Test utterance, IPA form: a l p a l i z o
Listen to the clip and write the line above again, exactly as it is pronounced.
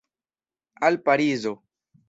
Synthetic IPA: a l p a ɾ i z o